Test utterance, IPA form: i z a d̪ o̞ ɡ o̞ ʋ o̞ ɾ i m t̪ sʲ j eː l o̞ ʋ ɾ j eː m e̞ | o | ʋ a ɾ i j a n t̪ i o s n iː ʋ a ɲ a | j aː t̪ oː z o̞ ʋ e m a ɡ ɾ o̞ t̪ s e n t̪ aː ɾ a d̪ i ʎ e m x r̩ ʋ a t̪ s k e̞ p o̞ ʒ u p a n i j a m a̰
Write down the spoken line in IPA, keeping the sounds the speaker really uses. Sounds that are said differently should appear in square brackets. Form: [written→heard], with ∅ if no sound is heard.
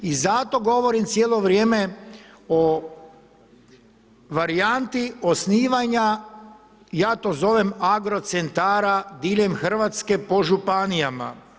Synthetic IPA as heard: i z a [d̪→t̪] o̞ ɡ o̞ ʋ o̞ ɾ i m t̪ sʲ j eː l o̞ ʋ ɾ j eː m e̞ | o | ʋ a ɾ i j a n t̪ i o s n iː ʋ a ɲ a | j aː t̪ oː z o̞ ʋ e m a ɡ ɾ o̞ t̪ s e n t̪ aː ɾ a d̪ i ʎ e m x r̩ ʋ a t̪ s k e̞ p o̞ ʒ u p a n i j a m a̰

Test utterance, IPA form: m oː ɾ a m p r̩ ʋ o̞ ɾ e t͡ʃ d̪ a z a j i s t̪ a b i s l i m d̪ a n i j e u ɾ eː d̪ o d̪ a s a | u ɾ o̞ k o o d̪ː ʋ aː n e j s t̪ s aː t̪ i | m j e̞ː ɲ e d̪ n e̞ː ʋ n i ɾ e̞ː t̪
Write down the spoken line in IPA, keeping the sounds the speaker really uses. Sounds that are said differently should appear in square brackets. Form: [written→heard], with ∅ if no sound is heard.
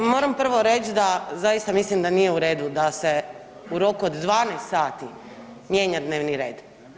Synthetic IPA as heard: m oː ɾ a m p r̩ ʋ o̞ ɾ e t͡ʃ d̪ a z a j i s t̪ a [b→m] i s l i m d̪ a n i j e u ɾ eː d̪ [o→u] d̪ a s [a→e] | u ɾ o̞ k [o→u] o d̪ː ʋ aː n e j s t̪ s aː t̪ i | m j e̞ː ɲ [e→a] d̪ n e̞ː ʋ n i ɾ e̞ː [t̪→d̪]

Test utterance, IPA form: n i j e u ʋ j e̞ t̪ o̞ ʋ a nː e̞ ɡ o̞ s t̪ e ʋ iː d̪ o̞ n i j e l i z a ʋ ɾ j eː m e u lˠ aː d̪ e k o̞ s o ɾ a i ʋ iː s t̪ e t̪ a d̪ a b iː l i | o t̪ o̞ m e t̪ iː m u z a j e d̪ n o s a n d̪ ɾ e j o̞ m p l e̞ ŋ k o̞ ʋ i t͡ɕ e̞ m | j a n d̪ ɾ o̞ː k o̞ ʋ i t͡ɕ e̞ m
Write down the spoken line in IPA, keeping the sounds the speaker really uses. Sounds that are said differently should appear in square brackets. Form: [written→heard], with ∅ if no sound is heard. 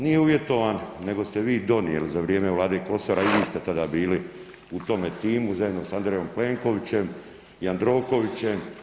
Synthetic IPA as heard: n i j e u ʋ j e̞ t̪ o̞ ʋ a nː e̞ ɡ o̞ s t̪ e ʋ iː d̪ o̞ n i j e l i z a ʋ ɾ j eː m e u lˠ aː d̪ e k o̞ s o ɾ a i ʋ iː s t̪ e t̪ a d̪ a b iː l i | [o→u] t̪ o̞ m e t̪ iː m u z a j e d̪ n o s a n d̪ ɾ e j o̞ m p l e̞ ŋ k o̞ ʋ i t͡ɕ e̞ m | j a n d̪ ɾ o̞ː k o̞ ʋ i t͡ɕ e̞ m

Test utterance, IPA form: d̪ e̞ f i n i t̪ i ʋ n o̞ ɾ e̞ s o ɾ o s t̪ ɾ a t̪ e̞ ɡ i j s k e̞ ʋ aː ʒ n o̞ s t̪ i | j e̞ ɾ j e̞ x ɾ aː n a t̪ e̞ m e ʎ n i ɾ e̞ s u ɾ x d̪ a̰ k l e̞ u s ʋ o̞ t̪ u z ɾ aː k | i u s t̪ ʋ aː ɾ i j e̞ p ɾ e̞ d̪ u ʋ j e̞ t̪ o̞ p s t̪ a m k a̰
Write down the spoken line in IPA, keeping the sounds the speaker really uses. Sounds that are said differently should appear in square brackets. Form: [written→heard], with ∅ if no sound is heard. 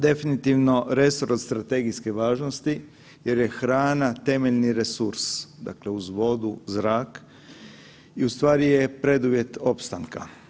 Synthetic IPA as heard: d̪ e̞ f i n i t̪ i ʋ n o̞ ɾ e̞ s o ɾ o s t̪ ɾ a t̪ e̞ ɡ i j s k e̞ ʋ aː ʒ n o̞ s t̪ i | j e̞ ɾ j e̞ x ɾ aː n a t̪ e̞ m e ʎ n i ɾ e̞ s u ɾ [x→s] d̪ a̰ k l e̞ u [s→z] ʋ o̞ [t̪→d̪] u z ɾ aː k | i u s t̪ ʋ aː ɾ i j e̞ p ɾ e̞ d̪ u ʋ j e̞ t̪ o̞ p s t̪ a [m→ŋ] k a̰

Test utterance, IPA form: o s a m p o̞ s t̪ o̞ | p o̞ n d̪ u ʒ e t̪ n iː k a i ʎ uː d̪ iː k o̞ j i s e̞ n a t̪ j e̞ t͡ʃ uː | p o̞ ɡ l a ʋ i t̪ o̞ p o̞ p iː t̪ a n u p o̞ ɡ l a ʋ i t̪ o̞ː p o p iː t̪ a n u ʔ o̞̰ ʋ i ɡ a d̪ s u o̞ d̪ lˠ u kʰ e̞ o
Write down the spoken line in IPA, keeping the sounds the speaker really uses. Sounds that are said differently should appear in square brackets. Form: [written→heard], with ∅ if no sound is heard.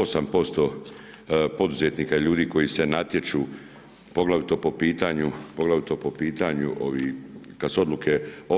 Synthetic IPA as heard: o s a m p o̞ s t̪ o̞ | p o̞ [n→∅] d̪ u [ʒ→z] e t̪ n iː k a i ʎ uː d̪ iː k o̞ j i s e̞ n a t̪ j e̞ t͡ʃ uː | p o̞ ɡ l a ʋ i t̪ o̞ p o̞ p iː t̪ a [n→ɲ] u p o̞ ɡ l a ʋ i t̪ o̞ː p o p iː t̪ a [n→ɲ] u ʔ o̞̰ ʋ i [ɡ→k] a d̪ s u o̞ d̪ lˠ u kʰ e̞ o

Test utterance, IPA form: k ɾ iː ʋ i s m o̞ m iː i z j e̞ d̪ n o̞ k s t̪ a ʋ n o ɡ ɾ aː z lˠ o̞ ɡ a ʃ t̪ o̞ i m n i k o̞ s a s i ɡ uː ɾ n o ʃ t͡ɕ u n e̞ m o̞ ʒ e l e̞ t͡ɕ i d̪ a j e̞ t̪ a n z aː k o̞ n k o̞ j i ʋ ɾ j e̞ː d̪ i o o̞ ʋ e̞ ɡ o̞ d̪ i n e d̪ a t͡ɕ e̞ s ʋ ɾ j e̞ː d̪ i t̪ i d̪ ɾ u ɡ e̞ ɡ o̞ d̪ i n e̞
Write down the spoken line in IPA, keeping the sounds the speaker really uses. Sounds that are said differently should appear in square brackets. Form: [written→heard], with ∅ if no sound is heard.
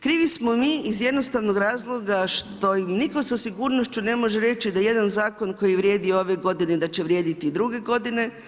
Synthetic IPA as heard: k ɾ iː ʋ i s m o̞ m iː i z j e̞ d̪ n o̞ [k→∅] s t̪ a ʋ n o ɡ ɾ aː z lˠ o̞ ɡ a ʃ t̪ o̞ i m n i k o̞ s a s i ɡ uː ɾ n o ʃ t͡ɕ u n e̞ m o̞ ʒ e [l→ɾ] e̞ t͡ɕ i d̪ a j e̞ [t̪→d̪] a n z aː k o̞ n k o̞ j i ʋ ɾ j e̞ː d̪ i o o̞ ʋ e̞ ɡ o̞ d̪ i n e d̪ a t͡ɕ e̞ [s→∅] ʋ ɾ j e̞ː d̪ i t̪ i d̪ ɾ u ɡ e̞ ɡ o̞ d̪ i n e̞

